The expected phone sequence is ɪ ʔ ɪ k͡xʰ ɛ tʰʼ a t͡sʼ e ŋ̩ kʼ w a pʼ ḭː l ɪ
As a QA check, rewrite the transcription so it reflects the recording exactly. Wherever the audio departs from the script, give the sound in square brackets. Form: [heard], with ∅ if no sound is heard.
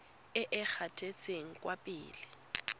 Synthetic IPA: ɪ ʔ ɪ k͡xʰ [a] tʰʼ [e] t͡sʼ e ŋ̩ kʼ w a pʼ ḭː l ɪ